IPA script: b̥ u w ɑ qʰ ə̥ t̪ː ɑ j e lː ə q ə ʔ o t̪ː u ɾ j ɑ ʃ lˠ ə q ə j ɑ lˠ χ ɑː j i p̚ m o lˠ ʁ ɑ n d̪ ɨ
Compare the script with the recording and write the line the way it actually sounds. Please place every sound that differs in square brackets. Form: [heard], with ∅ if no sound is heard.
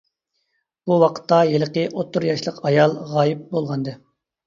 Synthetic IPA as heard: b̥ u w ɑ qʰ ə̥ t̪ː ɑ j e [l] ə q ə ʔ o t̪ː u ɾ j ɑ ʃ lˠ ə q [ɑ] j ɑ lˠ [ʁ] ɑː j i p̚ [b] o lˠ ʁ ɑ n d̪ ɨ